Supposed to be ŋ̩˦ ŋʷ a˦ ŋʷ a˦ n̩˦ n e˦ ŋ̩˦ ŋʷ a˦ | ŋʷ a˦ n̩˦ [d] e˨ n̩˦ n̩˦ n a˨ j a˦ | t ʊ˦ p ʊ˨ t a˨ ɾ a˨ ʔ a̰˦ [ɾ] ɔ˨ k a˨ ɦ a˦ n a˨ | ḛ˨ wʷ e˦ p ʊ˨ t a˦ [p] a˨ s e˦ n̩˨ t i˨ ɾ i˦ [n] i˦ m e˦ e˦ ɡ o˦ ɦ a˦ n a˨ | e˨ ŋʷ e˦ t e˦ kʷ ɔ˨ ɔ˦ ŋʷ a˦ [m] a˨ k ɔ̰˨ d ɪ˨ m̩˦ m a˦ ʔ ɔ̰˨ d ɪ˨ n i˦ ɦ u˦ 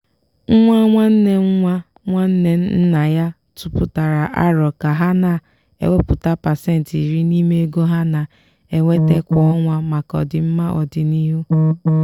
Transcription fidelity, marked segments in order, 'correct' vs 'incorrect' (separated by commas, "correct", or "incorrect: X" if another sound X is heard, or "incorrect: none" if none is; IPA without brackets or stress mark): incorrect: n, correct, correct, correct, correct